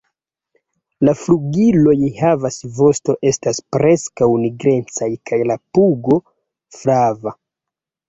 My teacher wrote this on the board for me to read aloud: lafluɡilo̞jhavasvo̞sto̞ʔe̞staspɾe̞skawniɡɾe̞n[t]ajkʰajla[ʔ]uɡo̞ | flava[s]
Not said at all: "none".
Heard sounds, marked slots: t͡s, p, none

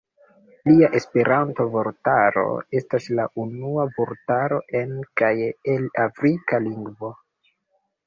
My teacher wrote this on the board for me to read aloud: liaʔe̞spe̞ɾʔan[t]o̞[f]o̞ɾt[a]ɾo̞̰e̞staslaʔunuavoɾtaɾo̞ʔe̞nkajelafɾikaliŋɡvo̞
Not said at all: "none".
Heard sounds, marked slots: t, v, a

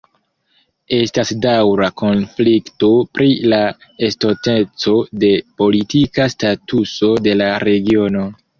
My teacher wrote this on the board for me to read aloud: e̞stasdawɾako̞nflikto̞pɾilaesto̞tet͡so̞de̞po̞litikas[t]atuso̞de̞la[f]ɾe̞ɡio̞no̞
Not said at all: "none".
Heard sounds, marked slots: t, none

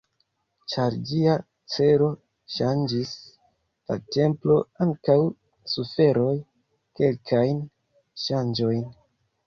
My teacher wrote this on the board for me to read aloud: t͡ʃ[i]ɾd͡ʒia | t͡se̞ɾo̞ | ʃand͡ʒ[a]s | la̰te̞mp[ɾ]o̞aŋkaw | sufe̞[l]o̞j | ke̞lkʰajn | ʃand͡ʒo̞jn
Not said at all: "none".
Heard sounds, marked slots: a, i, l, ɾ

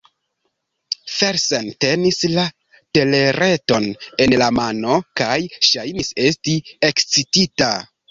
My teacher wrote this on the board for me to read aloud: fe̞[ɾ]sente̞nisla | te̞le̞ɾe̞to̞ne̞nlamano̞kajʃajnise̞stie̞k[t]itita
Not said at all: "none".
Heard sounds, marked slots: ɾ, t͡s

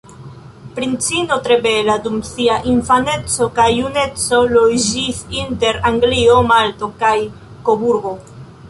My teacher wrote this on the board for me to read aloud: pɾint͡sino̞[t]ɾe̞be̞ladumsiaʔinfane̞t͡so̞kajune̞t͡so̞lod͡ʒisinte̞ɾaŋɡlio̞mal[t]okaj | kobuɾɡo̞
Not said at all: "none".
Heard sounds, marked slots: t, t

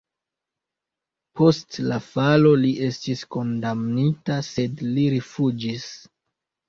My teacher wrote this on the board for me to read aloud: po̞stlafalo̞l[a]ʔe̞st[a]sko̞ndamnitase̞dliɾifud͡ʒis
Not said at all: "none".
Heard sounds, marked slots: i, i

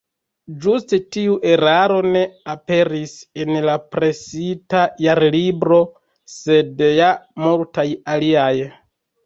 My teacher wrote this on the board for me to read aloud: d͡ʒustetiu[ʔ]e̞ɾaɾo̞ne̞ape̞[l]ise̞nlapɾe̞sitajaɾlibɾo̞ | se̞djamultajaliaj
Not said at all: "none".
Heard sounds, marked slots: ʔ, ɾ

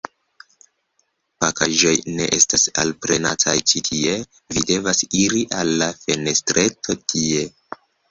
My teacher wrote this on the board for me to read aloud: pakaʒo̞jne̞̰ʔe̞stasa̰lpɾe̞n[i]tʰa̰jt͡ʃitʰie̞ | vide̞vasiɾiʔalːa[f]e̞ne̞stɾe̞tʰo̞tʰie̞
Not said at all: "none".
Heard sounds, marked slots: a, f

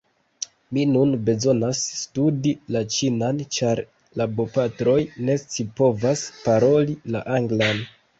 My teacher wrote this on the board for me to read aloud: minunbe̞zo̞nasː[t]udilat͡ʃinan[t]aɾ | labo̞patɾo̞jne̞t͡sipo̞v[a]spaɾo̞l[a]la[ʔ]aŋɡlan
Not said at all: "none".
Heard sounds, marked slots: t, t͡ʃ, a, i, ʔ

